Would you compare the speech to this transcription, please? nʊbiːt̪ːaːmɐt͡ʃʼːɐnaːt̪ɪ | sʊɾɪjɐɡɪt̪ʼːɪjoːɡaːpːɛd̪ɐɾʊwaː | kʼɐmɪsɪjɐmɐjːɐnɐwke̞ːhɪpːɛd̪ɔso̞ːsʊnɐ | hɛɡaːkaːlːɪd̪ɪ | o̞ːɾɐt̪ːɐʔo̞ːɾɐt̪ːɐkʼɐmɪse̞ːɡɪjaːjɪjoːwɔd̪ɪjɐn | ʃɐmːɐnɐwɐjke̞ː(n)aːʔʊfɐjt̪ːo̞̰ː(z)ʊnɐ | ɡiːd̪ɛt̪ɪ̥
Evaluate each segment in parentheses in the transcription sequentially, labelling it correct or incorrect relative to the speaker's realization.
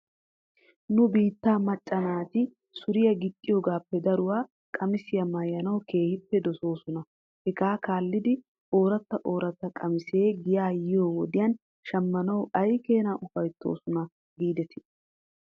correct, incorrect: s

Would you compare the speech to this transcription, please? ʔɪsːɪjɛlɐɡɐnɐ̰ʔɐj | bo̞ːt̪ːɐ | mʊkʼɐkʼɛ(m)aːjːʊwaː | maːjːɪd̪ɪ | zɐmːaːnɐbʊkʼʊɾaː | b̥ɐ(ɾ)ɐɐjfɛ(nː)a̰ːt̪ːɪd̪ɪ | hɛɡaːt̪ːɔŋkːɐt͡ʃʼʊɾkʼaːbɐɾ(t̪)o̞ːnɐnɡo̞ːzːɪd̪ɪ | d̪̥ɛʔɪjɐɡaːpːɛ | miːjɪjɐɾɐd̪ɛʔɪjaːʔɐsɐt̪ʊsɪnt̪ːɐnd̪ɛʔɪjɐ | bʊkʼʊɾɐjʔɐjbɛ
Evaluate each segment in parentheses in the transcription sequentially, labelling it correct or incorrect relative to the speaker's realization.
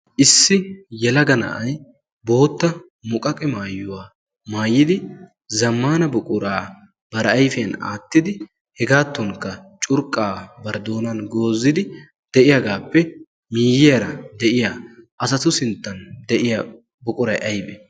correct, correct, incorrect: n, incorrect: d̪

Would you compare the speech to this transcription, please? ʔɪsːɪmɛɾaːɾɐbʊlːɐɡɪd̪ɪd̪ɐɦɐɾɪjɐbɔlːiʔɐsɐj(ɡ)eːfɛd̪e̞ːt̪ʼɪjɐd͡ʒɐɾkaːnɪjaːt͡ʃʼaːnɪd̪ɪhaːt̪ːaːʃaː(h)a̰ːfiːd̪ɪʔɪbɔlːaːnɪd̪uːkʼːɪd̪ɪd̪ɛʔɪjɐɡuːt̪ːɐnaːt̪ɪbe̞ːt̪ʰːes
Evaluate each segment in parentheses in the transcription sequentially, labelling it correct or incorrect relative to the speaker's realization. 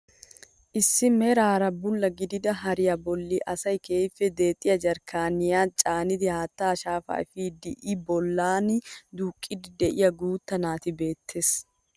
incorrect: k, incorrect: f

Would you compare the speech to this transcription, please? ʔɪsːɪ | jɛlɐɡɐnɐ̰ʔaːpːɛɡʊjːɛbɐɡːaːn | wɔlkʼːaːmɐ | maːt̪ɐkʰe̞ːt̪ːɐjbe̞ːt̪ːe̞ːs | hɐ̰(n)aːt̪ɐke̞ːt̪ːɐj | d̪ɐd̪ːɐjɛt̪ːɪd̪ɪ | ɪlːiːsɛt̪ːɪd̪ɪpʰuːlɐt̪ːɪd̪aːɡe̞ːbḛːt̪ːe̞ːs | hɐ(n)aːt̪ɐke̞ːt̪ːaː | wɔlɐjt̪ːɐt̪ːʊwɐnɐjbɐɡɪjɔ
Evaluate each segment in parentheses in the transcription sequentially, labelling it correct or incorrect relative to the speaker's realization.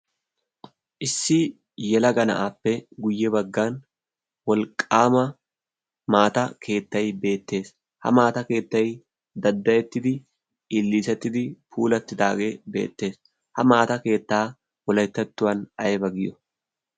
incorrect: m, incorrect: m

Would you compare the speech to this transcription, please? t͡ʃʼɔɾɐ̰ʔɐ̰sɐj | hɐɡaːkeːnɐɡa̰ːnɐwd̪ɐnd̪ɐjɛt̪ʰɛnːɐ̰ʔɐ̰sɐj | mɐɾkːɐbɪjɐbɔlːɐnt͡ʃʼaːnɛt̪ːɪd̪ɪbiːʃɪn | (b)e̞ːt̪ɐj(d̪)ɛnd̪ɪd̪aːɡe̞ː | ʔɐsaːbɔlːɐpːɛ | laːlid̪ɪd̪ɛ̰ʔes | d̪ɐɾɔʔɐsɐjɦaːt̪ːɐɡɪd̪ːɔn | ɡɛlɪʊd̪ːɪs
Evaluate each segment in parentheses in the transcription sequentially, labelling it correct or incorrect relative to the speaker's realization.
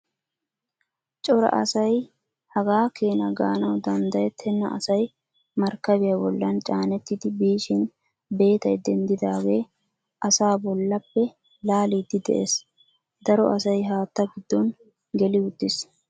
correct, correct

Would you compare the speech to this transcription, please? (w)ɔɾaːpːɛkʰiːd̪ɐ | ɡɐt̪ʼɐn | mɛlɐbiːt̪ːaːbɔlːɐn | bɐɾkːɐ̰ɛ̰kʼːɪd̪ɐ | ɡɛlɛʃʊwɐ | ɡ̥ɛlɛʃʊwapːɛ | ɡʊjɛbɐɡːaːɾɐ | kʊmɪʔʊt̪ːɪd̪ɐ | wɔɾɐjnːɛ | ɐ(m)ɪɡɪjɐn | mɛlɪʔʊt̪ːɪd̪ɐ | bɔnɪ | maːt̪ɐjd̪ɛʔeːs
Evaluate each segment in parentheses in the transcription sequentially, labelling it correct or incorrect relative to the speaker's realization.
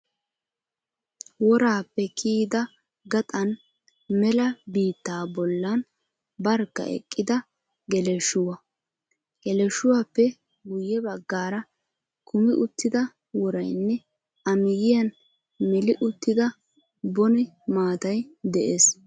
correct, correct

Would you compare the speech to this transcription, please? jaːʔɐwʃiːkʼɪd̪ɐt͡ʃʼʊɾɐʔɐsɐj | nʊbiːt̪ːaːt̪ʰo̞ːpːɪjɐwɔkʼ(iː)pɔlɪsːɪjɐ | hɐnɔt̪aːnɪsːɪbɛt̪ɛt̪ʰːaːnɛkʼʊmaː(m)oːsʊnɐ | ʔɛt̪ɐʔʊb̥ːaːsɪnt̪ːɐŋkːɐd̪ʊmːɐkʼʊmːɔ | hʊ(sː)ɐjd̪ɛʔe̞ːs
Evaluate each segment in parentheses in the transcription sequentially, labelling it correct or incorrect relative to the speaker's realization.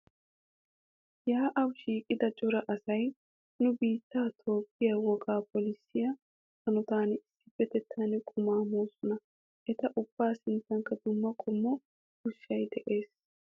incorrect: aː, correct, incorrect: ʃː

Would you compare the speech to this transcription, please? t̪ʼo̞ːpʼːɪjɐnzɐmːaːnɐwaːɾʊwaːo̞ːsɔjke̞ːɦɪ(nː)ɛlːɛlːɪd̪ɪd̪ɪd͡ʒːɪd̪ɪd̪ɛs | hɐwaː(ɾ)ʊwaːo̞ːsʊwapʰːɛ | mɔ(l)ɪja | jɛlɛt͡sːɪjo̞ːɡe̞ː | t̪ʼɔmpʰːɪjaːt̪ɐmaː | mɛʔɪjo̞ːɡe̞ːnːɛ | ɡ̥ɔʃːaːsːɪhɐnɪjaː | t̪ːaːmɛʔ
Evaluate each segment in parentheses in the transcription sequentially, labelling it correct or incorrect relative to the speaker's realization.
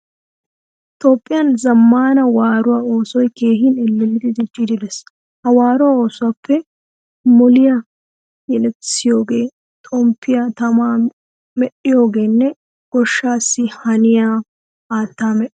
incorrect: n, correct, correct

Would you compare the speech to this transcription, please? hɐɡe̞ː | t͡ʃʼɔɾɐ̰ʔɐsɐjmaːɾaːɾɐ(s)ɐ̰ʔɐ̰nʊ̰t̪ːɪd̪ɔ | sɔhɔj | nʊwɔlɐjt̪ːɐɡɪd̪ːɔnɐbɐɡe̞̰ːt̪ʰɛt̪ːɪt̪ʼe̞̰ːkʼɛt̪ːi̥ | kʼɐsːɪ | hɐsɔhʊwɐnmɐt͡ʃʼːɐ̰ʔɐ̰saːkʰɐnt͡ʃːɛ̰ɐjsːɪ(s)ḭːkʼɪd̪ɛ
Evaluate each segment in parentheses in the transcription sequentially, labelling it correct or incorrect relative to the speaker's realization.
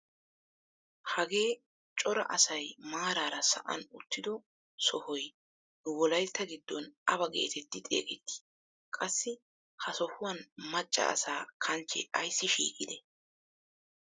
correct, incorrect: ʃ

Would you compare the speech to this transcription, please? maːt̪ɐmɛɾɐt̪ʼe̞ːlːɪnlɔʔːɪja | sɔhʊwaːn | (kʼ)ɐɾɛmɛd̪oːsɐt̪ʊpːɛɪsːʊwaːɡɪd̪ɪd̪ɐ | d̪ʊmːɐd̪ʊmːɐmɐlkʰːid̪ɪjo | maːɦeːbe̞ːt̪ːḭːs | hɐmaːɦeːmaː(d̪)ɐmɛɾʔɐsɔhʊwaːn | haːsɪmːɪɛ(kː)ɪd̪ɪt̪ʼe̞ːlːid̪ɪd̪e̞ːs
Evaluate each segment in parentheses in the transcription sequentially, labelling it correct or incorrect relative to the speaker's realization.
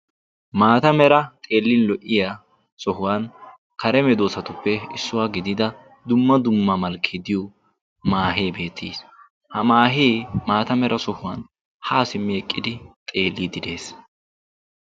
incorrect: k, incorrect: t̪, incorrect: kʼː

